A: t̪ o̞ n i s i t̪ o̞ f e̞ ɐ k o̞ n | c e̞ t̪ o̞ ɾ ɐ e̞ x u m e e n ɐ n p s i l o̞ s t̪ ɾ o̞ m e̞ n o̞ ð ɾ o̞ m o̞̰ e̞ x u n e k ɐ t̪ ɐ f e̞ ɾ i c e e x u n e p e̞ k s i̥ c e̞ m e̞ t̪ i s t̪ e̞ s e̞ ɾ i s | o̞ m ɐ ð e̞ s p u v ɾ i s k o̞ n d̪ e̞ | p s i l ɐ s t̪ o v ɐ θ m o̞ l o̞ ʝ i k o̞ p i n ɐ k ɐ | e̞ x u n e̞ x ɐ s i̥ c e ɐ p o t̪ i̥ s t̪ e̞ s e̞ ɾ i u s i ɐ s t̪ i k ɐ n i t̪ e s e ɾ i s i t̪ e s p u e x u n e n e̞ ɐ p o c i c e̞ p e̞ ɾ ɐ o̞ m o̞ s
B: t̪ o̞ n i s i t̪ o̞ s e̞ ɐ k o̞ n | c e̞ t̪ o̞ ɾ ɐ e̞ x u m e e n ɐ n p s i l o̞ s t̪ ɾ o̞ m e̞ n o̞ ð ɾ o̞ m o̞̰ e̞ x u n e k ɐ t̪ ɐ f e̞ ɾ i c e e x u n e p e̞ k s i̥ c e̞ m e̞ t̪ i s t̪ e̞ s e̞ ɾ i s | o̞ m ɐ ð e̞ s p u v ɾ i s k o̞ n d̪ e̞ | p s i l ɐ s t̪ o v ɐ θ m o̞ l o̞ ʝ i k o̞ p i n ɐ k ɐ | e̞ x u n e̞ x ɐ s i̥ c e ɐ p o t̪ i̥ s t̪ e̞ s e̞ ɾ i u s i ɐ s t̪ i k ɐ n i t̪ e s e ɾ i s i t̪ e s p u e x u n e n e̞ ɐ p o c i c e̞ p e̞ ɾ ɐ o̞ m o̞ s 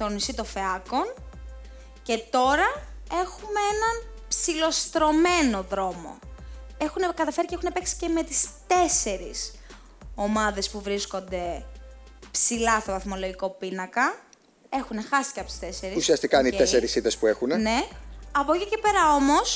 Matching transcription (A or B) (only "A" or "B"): A